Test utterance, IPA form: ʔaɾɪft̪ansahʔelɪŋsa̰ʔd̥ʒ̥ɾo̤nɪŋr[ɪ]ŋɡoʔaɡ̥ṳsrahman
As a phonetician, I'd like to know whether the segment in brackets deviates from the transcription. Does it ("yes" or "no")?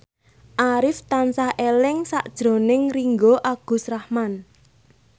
yes